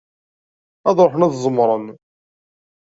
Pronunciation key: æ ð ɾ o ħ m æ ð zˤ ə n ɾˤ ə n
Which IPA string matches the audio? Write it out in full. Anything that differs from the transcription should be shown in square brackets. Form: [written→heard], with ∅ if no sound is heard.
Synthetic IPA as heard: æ ð ɾ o ħ [m→n] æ ð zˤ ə [n→m] ɾˤ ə n